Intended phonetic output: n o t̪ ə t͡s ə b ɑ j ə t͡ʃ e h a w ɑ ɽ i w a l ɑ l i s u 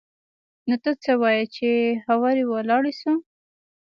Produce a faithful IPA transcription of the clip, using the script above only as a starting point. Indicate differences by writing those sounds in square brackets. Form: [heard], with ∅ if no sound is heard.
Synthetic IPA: n o t̪ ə t͡s ə [w] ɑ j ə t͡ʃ e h a w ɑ [ɾ] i w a l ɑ [ɽ] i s u